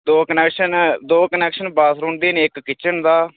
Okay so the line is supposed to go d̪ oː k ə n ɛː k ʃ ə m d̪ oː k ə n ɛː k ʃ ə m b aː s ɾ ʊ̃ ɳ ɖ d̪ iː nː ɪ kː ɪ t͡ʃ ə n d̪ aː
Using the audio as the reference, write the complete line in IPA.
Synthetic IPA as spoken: d̪ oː k ə n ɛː k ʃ ə n d̪ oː k ə n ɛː k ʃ ə n b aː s ɾ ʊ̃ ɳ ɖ d̪ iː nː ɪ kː ɪ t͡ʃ ə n d̪ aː